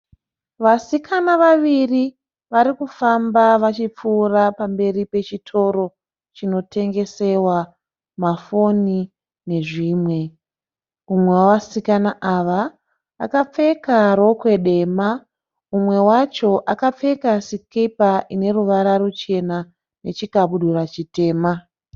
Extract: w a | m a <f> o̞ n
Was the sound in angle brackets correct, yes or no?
yes